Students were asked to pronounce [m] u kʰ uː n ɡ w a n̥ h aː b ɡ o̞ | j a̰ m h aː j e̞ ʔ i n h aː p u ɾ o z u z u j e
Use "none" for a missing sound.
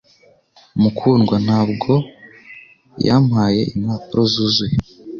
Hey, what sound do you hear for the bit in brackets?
m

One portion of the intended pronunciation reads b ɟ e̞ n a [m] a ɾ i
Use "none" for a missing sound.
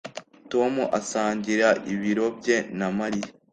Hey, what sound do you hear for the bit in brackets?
m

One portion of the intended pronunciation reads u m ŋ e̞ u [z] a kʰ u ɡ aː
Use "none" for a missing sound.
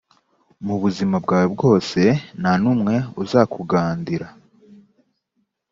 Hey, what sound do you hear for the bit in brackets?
z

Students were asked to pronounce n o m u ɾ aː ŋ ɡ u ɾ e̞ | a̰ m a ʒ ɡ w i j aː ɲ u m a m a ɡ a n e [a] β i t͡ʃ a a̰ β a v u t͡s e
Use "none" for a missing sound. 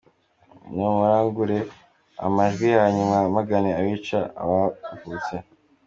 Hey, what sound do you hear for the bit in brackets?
a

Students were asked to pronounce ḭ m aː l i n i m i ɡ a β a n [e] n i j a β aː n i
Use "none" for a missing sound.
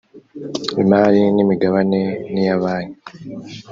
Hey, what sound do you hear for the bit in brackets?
e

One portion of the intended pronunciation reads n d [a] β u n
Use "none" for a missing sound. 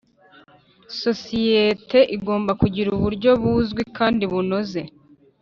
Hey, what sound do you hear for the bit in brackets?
i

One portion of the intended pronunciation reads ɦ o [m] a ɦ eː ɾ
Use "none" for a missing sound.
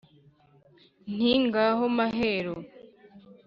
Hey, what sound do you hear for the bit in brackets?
m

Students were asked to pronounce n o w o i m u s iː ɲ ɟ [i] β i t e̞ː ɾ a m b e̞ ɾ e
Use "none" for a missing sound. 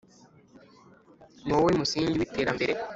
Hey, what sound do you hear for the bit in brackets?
i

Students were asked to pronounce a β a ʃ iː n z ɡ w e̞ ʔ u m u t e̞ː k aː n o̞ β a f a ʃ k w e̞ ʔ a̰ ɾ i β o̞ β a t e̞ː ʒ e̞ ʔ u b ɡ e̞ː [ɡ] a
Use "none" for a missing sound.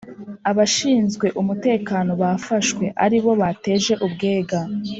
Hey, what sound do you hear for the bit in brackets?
ɡ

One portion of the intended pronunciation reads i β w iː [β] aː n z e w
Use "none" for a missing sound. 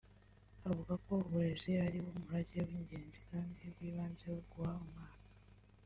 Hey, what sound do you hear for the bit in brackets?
β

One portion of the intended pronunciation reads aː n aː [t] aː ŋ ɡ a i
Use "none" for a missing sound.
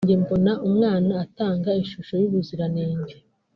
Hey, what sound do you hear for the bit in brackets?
t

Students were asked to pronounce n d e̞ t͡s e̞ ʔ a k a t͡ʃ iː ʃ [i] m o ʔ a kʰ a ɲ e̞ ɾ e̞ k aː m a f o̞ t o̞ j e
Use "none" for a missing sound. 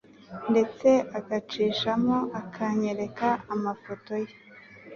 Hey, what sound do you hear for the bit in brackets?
a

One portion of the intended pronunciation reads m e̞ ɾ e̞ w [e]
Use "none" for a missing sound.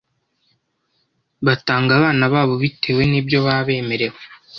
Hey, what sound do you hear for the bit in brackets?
e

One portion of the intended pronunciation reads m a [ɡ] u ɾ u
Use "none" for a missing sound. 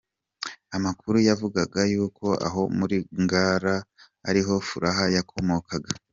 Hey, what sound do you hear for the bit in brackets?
k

